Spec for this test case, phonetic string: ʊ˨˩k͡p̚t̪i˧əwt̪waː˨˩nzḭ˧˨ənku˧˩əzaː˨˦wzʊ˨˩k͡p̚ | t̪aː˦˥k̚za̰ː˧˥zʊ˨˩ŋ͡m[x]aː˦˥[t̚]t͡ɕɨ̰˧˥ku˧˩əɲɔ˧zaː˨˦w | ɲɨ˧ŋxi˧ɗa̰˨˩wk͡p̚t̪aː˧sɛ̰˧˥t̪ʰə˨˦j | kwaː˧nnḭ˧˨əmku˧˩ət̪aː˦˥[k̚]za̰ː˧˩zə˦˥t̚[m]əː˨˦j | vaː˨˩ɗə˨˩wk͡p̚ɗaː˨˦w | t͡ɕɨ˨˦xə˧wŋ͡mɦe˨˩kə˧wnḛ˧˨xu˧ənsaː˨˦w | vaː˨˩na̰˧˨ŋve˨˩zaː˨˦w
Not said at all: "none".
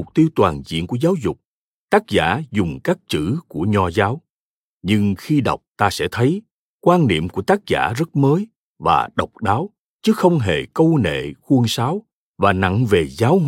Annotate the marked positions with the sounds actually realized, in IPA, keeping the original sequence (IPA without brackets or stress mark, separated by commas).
k, k̚, k̚, m